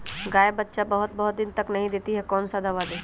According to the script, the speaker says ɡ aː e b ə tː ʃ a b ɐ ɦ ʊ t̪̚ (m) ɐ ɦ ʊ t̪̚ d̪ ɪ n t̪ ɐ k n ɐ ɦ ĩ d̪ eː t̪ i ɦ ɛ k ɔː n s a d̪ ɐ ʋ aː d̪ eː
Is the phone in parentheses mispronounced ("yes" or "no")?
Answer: yes